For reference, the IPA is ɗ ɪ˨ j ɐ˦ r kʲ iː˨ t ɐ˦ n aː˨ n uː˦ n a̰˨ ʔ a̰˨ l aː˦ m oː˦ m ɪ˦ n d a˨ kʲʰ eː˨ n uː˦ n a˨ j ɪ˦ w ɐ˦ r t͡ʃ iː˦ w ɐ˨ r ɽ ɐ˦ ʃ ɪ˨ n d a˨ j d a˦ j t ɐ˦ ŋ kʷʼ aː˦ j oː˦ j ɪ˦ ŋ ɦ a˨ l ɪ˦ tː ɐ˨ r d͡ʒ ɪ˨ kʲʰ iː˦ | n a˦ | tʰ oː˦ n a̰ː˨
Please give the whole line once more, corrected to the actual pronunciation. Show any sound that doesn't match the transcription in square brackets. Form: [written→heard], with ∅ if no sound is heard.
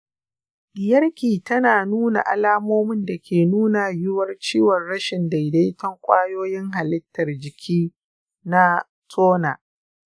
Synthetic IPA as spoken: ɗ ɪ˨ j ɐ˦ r kʲ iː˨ t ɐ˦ n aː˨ n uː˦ n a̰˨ ʔ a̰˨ l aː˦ m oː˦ m ɪ˦ n d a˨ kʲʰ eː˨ n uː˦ n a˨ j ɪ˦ w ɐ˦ r t͡ʃ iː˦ w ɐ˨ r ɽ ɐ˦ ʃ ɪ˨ n d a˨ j d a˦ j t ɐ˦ ŋ kʷʼ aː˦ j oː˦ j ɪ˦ ŋ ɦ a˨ l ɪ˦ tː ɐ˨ r d͡ʒ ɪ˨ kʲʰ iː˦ | n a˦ | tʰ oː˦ n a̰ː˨